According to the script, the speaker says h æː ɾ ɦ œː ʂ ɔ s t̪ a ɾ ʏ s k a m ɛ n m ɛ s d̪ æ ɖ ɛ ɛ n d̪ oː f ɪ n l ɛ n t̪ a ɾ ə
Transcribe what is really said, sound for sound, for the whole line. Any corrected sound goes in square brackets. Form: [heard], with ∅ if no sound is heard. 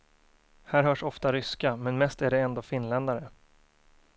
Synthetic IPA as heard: h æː ɾ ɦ œː ʂ ɔ [f] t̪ a ɾ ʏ s k a m ɛ n m ɛ s [t̪] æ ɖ ɛ ɛ n d̪ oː f ɪ n l ɛ n [d̪] a ɾ ə

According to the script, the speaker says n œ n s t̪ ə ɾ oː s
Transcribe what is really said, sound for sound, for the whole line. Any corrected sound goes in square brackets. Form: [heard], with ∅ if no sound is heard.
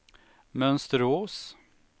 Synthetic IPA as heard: [m] œ n s t̪ ə ɾ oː s

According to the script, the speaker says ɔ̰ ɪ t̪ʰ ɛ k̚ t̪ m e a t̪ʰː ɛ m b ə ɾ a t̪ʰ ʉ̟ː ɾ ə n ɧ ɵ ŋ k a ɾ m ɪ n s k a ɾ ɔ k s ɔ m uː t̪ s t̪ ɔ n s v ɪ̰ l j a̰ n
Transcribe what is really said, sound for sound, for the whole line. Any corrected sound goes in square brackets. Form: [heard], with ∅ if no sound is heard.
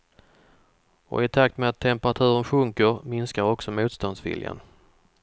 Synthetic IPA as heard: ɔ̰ ɪ t̪ʰ [a] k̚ t̪ m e a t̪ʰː ɛ m [p] ə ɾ a t̪ʰ ʉ̟ː ɾ ə n ɧ ɵ ŋ k [ə] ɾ m ɪ n s k a ɾ ɔ k s ɔ m uː t̪ s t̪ ɔ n s v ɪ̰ l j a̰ n

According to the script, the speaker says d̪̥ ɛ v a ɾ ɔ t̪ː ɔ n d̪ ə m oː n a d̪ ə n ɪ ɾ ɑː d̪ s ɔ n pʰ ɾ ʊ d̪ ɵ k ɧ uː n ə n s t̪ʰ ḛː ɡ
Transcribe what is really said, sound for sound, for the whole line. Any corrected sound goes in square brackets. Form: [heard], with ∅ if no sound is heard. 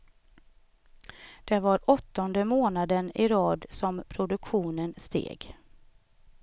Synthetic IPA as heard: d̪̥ ɛ v a ɾ ɔ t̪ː ɔ n d̪ ə m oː n a d̪ ə n ɪ ɾ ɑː d̪ s ɔ [m] pʰ ɾ ʊ d̪ ɵ k ɧ uː n ə n s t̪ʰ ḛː ɡ

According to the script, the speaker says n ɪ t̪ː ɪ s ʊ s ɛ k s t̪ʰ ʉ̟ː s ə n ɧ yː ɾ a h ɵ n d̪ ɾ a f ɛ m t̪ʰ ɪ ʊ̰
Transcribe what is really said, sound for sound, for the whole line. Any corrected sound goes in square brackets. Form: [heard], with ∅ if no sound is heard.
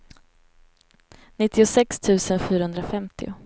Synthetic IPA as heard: n ɪ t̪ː ɪ [∅] ʊ s ɛ k s t̪ʰ ʉ̟ː s ə n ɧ yː ɾ a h ɵ n d̪ ɾ a f ɛ m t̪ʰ ɪ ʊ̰

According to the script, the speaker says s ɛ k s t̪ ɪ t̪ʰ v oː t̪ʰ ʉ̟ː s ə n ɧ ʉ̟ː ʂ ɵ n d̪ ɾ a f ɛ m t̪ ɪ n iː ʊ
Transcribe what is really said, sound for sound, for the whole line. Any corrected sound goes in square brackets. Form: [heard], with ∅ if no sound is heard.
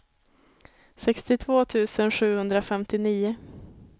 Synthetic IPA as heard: s ɛ k s t̪ ɪ t̪ʰ v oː t̪ʰ ʉ̟ː s ə n ɧ ʉ̟ː [h] ɵ n d̪ ɾ a f ɛ m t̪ ɪ n iː ʊ

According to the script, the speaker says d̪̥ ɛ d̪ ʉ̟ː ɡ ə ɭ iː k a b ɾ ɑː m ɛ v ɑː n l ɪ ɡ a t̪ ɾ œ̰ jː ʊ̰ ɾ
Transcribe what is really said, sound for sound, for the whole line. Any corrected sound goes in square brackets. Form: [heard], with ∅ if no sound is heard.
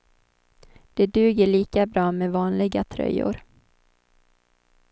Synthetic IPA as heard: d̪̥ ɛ d̪ ʉ̟ː ɡ ə ɭ iː k a b ɾ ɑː m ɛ v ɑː n l ɪ ɡ a [t̪ʰ] ɾ œ̰ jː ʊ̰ ɾ

